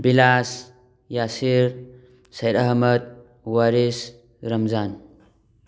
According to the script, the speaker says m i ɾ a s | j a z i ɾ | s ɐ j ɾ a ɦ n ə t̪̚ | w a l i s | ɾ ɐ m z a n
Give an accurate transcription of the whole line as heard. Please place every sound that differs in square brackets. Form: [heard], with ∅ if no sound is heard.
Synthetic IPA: [b] i [l] a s | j a [s] i ɾ | s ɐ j ɾ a ɦ [m] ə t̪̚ | w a [ɾ] i s | ɾ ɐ m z a n